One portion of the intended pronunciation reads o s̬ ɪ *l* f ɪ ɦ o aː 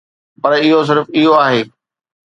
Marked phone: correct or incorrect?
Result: incorrect